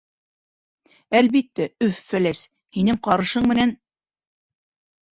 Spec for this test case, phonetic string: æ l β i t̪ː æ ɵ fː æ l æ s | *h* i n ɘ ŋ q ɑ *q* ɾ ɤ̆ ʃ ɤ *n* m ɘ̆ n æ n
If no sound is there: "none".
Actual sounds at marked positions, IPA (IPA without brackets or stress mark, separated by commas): h, none, ɴ